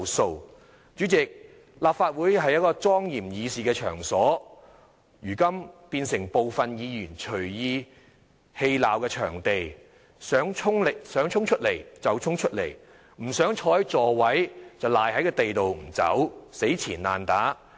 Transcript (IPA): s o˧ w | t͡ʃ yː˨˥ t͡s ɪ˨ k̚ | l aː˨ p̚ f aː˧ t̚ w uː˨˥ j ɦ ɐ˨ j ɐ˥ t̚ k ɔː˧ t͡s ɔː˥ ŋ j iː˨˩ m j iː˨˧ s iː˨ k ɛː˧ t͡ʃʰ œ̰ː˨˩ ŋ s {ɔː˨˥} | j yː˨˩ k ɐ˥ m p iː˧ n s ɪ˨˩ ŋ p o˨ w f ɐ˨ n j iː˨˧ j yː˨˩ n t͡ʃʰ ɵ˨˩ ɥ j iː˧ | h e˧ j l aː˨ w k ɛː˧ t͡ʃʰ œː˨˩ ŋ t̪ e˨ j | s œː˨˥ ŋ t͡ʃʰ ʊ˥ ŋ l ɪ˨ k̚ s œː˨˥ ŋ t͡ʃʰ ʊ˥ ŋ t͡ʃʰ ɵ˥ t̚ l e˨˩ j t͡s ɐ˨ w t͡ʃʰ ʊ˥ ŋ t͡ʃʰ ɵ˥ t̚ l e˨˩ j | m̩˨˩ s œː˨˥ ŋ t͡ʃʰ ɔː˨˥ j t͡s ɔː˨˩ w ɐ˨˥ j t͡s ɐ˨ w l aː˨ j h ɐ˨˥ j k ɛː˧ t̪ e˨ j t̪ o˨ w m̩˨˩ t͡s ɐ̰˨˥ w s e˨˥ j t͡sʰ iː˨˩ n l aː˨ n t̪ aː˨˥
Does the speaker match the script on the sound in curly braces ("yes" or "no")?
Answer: yes